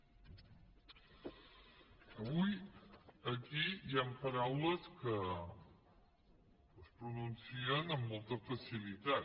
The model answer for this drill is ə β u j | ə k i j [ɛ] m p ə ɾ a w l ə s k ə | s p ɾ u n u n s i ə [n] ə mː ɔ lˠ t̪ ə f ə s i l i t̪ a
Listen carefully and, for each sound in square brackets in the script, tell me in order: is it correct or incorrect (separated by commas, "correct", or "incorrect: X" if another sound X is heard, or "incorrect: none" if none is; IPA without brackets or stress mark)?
incorrect: a, correct